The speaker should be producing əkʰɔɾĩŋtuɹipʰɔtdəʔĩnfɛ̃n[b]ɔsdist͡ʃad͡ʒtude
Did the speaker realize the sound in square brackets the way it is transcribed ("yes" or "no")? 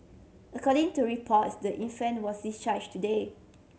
no